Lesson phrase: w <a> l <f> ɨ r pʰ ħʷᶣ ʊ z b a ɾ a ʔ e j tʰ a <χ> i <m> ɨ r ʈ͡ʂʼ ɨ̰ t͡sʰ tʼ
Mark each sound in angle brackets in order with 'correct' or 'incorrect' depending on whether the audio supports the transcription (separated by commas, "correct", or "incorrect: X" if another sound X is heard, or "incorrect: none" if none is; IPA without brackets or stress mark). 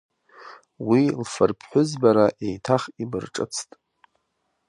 incorrect: i, correct, correct, incorrect: b